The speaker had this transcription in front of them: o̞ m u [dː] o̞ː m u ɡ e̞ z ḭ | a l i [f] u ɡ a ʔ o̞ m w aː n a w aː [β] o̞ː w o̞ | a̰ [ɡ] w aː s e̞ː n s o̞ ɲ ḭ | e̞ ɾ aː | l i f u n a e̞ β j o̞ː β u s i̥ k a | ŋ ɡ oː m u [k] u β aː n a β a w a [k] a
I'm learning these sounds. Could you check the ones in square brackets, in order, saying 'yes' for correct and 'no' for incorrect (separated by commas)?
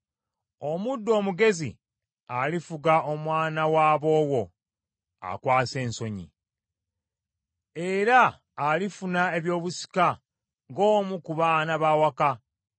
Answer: yes, yes, yes, no, yes, yes